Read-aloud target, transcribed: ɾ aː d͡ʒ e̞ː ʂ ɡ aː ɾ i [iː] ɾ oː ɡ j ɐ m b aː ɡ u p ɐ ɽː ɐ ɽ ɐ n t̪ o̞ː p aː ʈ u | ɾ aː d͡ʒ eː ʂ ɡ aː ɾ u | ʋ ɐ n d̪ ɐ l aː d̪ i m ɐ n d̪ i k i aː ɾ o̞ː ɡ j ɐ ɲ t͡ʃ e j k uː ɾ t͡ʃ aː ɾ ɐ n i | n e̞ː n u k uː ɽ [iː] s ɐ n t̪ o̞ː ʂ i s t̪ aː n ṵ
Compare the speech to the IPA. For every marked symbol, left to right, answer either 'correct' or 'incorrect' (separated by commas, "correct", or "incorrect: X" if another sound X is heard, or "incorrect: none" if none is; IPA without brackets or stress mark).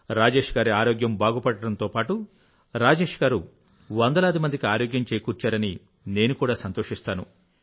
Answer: incorrect: aː, incorrect: aː